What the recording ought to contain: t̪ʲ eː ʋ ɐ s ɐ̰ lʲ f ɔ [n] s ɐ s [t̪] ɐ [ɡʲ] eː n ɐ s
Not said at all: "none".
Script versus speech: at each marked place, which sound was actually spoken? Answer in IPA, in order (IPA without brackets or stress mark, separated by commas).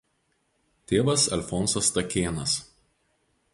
n, t̪, kʲ